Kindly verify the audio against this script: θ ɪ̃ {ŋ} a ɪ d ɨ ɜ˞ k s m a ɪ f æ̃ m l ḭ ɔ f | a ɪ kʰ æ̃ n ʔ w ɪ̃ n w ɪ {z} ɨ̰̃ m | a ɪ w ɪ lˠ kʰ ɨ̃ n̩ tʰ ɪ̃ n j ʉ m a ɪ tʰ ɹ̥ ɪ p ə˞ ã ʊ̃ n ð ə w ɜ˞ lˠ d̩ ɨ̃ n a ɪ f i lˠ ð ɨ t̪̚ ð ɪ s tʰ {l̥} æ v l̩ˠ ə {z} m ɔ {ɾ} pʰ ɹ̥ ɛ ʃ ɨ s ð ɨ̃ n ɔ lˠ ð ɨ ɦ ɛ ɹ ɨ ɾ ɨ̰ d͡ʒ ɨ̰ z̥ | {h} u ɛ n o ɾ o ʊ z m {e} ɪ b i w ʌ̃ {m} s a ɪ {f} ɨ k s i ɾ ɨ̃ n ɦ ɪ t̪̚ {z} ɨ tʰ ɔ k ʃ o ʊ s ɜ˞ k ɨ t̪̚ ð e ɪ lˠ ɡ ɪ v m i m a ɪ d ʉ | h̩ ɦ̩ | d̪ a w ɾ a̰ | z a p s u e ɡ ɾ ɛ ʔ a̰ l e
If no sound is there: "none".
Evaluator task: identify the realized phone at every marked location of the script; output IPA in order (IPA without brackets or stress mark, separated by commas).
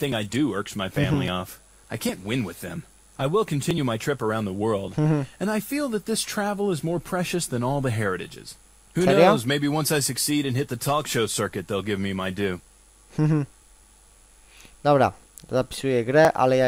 ŋ, ð, ɹ̥, z, ɹ, h, e, n, s, ð